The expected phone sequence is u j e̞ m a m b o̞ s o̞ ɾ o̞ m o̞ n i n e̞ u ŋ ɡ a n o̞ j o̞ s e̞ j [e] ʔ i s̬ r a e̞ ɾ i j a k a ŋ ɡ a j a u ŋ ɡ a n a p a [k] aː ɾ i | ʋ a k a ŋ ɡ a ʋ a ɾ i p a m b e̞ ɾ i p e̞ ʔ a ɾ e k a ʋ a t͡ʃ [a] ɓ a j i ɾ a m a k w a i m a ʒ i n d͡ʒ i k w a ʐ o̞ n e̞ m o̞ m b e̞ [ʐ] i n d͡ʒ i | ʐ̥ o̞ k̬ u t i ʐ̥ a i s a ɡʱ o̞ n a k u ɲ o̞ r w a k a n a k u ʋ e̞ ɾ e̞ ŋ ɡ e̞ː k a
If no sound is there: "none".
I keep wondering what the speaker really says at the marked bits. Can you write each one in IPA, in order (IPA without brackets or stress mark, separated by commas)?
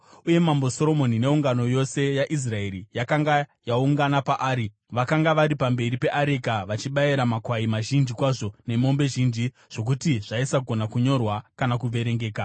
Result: a, ʔ, i, ʒ